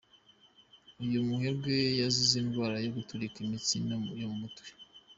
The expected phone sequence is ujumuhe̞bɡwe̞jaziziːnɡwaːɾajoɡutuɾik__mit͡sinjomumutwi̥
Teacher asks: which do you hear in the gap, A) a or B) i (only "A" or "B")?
B